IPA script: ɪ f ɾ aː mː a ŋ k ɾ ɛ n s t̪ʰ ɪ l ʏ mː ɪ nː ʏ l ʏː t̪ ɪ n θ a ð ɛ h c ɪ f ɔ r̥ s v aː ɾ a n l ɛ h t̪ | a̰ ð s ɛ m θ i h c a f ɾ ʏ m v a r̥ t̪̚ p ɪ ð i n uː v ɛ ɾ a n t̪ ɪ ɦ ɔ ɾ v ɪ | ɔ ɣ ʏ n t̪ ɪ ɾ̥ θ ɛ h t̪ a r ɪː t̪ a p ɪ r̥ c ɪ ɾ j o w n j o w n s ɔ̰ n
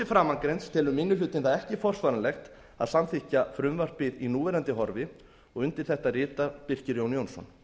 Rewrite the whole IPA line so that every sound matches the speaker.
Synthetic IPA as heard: ɪ f ɾ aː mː a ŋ k ɾ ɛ n s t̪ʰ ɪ l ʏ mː ɪ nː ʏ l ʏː t̪ ɪ n θ a ð ɛ h c ɪ f ɔ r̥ s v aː ɾ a n l ɛ x t̪ | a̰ ð s a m θ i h c a f ɾ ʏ m v a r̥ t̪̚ p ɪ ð i n uː v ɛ ɾ a n t̪ ɪ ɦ ɔ ɾ v ɪ | ɔ ɣ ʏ n t̪ ɪ ɾ̥ θ ɛ h t̪ a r ɪː t̪ a p ɪ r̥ c ɪ ɾ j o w n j o w n s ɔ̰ n